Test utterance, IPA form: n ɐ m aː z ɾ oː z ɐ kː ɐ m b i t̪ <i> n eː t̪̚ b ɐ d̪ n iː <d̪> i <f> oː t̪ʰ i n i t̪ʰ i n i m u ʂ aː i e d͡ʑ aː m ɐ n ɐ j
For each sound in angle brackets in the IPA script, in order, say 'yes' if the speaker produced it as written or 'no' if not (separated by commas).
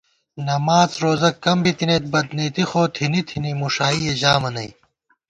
yes, no, no